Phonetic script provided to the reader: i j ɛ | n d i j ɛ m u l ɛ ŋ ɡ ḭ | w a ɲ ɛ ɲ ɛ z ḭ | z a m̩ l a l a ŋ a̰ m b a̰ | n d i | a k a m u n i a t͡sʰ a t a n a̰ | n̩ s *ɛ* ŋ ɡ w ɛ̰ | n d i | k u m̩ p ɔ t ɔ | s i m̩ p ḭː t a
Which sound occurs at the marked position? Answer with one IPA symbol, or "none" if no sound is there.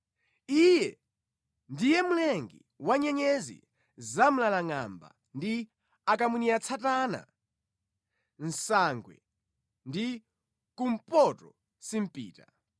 a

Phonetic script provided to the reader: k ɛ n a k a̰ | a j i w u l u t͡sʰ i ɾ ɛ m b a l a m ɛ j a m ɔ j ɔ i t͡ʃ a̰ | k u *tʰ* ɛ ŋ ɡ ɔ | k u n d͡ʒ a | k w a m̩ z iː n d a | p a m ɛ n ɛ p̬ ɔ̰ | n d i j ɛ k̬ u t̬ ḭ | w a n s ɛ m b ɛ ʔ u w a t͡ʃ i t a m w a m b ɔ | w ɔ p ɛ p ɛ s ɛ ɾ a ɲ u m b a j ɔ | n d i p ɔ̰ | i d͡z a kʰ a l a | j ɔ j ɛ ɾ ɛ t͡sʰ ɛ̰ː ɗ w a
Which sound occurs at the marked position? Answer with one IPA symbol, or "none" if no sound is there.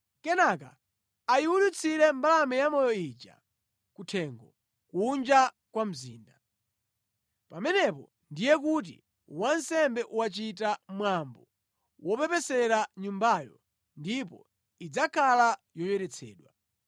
tʰ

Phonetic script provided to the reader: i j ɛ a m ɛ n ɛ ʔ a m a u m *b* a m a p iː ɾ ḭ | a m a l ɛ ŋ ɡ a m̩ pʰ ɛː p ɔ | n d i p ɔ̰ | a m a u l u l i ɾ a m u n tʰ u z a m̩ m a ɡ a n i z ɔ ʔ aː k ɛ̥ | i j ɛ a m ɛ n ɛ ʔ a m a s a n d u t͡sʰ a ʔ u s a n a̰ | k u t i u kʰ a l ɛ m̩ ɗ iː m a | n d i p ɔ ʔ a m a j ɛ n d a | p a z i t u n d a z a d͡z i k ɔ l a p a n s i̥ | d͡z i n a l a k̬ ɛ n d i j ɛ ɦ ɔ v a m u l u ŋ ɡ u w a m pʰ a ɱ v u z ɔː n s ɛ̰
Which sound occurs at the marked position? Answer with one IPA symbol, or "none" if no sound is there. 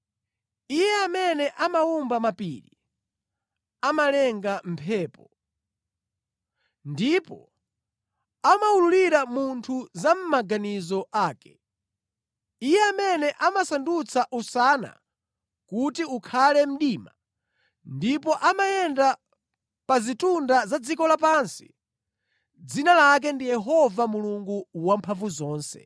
b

